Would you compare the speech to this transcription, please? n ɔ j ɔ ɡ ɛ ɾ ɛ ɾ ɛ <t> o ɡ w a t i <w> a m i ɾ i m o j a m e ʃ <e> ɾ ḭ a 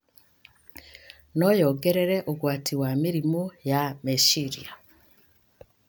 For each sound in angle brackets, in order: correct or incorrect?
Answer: incorrect, correct, incorrect

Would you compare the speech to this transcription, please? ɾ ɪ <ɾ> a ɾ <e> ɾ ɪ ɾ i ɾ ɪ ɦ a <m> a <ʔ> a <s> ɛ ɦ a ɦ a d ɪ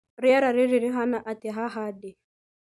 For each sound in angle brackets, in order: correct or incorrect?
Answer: incorrect, incorrect, incorrect, correct, incorrect

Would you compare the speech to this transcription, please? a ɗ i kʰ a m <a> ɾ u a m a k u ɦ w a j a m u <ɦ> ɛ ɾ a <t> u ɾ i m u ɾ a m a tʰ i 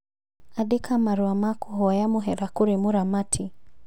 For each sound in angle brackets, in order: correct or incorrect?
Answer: correct, correct, incorrect

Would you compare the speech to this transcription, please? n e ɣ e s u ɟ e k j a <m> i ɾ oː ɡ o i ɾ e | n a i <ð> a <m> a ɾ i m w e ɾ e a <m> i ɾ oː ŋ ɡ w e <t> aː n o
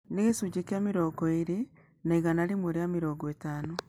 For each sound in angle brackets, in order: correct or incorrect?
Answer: correct, incorrect, incorrect, correct, correct

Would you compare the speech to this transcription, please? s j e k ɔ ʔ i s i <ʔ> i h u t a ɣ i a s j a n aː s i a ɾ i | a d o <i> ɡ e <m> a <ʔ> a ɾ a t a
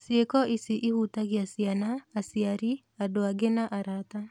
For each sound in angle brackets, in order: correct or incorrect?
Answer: correct, incorrect, incorrect, correct

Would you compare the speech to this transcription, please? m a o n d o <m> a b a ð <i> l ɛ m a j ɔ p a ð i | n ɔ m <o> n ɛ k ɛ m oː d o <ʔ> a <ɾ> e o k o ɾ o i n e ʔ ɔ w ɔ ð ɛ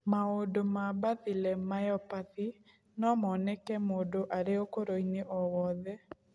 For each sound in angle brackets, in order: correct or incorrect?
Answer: correct, correct, incorrect, correct, correct

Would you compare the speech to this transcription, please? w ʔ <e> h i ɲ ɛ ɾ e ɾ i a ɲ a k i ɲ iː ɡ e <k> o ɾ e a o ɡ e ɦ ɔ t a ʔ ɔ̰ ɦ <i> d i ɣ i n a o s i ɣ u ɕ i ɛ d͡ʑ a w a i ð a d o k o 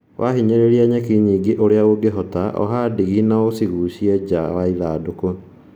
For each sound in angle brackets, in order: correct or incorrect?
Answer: incorrect, incorrect, incorrect

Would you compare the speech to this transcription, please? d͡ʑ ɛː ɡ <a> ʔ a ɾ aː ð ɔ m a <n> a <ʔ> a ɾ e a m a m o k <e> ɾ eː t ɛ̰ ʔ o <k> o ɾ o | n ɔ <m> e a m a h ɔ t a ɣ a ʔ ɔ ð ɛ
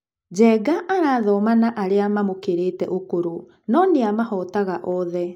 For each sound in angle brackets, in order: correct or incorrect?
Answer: correct, correct, correct, correct, correct, incorrect

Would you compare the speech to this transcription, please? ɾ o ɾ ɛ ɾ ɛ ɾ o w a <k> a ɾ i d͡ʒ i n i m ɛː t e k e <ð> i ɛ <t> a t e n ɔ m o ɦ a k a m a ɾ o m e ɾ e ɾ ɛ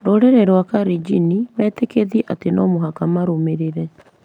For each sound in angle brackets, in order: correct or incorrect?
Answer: correct, correct, incorrect

